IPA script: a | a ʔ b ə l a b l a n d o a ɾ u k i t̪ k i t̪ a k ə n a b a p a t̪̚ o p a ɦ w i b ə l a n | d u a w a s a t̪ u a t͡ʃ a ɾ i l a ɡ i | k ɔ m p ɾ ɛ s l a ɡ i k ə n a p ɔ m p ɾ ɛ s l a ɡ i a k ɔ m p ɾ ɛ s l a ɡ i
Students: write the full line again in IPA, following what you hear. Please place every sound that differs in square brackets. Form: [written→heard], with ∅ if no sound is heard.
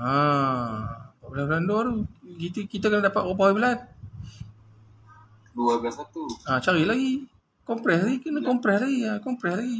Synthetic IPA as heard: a | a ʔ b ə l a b l a n d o a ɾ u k i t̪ k i t̪ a k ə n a [b→d] a p a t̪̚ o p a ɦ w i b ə l a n | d u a [w→b] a s a t̪ u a t͡ʃ a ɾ i l a ɡ i | k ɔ m p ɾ ɛ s l a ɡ i k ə n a [p→k] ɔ m p ɾ ɛ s l a ɡ i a k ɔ m p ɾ ɛ s l a ɡ i